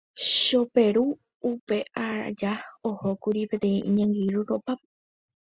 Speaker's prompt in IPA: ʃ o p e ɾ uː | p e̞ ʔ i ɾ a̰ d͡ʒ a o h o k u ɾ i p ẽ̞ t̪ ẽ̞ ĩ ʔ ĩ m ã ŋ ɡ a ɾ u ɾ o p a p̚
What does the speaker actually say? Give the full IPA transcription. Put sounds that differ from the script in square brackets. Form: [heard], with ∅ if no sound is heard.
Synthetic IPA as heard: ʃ o p e ɾ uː | p e̞ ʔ [a] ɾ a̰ d͡ʒ a o h o k u ɾ i p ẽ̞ t̪ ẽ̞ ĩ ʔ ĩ [ɲ] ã ŋ ɡ [i] ɾ u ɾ o p a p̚